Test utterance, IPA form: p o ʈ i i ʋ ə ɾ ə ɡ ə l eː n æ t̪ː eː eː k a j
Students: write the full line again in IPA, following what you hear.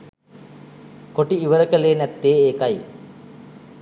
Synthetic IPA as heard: k o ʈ i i ʋ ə ɾ ə k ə l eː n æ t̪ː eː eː k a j